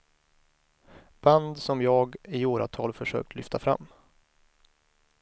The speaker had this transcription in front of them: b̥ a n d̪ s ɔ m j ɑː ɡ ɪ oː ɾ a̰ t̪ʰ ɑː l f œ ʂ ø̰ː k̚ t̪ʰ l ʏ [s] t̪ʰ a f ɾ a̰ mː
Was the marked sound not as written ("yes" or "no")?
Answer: yes